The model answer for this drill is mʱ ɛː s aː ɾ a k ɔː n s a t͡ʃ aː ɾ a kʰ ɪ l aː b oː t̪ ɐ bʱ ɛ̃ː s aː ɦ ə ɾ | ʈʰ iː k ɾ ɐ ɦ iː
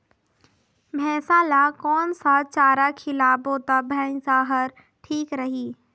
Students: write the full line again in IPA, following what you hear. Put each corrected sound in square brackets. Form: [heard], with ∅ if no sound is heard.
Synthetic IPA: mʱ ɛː s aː [l] a k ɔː n s a t͡ʃ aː ɾ a kʰ ɪ l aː b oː t̪ [a] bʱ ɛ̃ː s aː ɦ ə ɾ | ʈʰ iː k ɾ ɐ ɦ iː